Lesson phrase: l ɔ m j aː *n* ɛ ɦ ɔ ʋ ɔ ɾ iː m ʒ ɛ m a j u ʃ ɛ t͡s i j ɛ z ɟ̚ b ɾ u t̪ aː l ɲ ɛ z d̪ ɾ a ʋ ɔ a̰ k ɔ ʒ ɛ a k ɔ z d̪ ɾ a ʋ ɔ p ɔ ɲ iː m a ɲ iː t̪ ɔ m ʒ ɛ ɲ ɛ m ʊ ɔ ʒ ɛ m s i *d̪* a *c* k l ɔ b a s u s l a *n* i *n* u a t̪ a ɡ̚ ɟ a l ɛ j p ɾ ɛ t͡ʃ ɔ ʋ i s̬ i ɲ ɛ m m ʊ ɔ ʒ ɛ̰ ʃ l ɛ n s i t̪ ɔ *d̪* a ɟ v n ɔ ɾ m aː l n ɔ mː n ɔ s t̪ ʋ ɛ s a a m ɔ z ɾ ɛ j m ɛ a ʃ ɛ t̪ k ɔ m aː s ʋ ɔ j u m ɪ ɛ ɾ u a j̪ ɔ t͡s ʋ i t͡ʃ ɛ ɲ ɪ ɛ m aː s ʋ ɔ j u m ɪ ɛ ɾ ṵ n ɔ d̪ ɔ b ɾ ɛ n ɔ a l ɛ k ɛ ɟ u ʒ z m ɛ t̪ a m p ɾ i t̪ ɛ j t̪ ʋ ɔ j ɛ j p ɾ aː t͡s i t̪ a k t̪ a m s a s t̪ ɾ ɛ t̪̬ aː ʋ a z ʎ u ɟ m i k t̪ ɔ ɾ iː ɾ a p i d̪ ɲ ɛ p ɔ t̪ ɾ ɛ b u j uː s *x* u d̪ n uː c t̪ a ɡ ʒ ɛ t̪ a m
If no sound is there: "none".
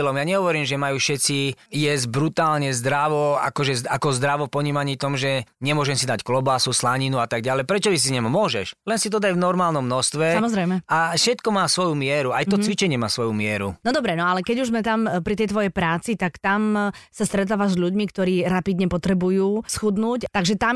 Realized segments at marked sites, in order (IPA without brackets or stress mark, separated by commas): ɲ, d̪, c, ɲ, n, d̪, x